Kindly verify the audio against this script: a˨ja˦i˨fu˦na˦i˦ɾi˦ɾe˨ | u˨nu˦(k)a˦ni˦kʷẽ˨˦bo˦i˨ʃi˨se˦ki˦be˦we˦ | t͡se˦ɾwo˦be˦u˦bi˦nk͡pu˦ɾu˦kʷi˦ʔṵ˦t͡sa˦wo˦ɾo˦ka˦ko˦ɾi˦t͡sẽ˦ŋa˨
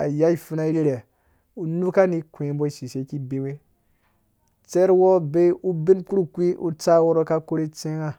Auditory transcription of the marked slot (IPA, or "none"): k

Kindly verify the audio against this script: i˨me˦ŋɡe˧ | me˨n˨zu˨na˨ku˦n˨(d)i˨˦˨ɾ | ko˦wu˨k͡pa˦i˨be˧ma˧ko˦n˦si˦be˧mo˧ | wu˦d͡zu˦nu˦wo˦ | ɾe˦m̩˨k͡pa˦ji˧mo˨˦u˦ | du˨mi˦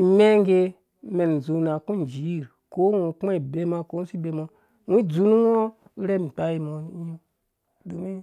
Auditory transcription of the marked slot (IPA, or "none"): d͡ʒ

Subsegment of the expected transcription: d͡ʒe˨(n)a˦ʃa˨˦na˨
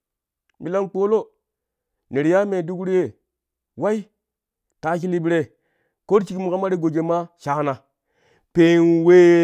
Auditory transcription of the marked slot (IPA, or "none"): m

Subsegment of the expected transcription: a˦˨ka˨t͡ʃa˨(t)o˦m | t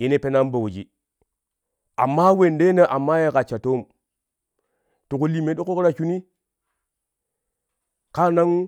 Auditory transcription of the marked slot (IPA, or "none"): t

